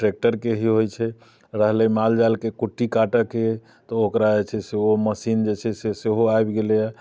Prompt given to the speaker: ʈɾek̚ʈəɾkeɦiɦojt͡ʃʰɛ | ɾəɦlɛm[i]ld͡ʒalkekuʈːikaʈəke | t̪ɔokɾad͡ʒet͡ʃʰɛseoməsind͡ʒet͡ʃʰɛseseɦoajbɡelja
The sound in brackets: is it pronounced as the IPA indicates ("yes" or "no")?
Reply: no